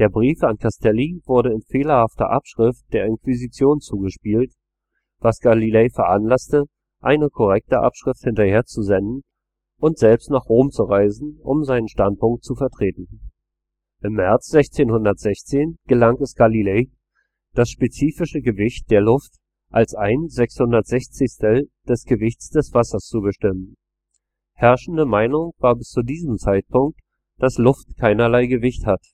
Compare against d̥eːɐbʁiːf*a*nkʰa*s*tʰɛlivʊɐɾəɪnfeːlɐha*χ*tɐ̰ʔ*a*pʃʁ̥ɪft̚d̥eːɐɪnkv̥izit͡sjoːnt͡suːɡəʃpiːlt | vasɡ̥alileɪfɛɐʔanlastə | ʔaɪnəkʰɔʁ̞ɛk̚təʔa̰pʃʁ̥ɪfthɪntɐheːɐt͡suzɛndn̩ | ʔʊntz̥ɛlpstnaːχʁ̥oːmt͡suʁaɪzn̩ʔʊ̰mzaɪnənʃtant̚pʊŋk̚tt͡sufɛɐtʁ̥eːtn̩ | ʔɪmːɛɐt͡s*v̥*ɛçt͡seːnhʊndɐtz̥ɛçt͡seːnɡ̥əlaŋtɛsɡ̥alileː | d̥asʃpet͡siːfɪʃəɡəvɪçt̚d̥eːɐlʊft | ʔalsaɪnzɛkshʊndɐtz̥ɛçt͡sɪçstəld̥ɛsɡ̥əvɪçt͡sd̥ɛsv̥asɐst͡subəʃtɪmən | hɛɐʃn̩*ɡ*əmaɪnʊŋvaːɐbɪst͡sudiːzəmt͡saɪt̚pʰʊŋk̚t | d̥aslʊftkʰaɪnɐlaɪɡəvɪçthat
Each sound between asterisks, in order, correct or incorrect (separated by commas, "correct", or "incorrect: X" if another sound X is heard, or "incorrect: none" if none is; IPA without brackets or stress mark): correct, correct, incorrect: f, correct, incorrect: z̥, incorrect: d